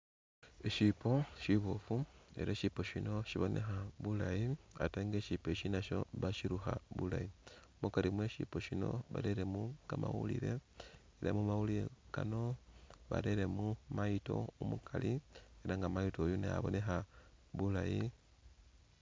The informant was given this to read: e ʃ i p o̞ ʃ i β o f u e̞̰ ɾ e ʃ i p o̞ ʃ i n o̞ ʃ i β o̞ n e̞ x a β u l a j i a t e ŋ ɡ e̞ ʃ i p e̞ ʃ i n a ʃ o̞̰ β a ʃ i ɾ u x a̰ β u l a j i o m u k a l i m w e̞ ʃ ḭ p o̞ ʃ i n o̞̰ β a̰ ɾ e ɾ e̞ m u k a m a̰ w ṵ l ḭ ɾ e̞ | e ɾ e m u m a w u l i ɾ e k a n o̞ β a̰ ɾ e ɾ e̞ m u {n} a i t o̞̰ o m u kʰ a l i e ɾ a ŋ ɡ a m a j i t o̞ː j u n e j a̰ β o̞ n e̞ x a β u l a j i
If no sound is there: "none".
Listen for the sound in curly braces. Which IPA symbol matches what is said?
m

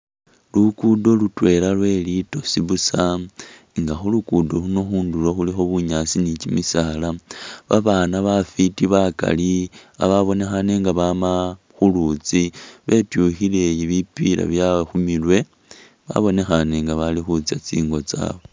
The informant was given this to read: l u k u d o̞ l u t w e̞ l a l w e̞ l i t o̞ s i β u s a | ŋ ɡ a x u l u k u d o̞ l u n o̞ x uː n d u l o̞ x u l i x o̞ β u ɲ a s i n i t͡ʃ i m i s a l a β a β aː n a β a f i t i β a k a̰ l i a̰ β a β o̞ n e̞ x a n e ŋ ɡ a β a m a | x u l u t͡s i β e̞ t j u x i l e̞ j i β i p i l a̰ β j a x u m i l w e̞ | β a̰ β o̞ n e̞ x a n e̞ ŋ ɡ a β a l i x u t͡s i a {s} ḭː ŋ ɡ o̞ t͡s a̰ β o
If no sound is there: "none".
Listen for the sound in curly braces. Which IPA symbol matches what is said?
t͡s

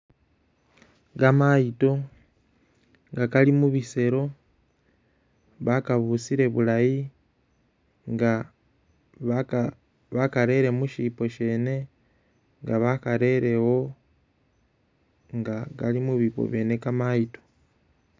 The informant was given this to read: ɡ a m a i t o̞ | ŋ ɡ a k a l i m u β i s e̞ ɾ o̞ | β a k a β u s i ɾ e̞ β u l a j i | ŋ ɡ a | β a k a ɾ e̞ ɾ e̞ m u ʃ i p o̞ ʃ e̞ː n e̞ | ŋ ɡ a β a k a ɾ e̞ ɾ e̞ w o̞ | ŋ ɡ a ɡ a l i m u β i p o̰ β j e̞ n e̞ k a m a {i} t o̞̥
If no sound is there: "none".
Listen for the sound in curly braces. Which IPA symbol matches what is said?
i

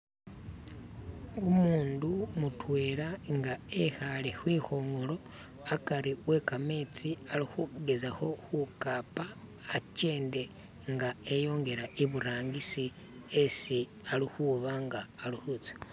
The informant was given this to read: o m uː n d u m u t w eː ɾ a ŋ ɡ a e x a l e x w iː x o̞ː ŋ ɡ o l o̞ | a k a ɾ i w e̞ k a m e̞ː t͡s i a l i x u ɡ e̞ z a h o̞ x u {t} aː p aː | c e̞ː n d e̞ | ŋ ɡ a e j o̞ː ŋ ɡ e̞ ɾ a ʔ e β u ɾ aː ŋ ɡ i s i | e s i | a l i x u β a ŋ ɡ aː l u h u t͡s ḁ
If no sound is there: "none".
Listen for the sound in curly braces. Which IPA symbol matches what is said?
k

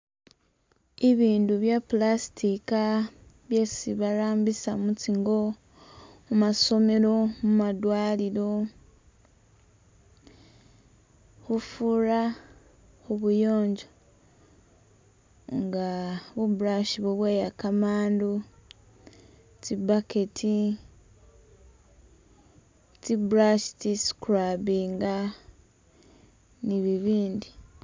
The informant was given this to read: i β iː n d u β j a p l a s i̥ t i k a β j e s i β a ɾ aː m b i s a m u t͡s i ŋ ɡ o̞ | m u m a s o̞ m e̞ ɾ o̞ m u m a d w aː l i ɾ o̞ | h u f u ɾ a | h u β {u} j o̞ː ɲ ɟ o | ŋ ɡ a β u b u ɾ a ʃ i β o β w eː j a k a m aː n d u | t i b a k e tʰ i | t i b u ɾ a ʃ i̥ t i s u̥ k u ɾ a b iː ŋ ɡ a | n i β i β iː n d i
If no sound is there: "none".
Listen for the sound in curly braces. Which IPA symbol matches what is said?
u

